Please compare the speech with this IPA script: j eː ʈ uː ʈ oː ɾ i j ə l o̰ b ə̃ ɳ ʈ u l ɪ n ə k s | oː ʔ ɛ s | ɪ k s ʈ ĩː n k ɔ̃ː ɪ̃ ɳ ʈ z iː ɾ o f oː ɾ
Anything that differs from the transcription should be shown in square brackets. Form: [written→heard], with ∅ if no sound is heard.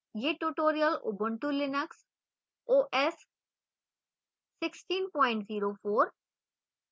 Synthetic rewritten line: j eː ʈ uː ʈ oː ɾ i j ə l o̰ b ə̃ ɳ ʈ u l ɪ n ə k s | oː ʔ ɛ s | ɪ k s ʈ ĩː n [k→p] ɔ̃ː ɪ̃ ɳ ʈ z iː ɾ o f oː ɾ